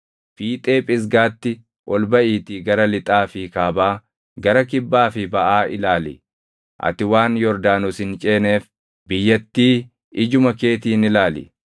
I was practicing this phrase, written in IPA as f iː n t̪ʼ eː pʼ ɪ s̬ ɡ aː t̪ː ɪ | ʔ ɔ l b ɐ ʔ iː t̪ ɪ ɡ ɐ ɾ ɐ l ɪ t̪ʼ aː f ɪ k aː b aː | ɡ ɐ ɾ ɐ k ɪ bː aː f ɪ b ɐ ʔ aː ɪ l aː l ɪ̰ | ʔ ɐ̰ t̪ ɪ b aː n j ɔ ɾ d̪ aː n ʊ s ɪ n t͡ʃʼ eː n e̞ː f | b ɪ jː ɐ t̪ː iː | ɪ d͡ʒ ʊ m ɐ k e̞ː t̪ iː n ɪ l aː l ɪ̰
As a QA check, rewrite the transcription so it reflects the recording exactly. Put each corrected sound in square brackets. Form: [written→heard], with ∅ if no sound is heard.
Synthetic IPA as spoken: f iː [n→∅] t̪ʼ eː pʼ ɪ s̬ ɡ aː t̪ː ɪ | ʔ ɔ l b ɐ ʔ iː t̪ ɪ ɡ ɐ ɾ ɐ l ɪ t̪ʼ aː f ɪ k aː b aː | ɡ ɐ ɾ ɐ k ɪ bː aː f ɪ b ɐ ʔ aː ɪ l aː l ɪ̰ | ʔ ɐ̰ t̪ ɪ [b→w] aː n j ɔ ɾ d̪ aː n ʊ s ɪ n t͡ʃʼ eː n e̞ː f | b ɪ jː ɐ t̪ː iː | ɪ d͡ʒ ʊ m ɐ k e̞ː t̪ iː n ɪ l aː l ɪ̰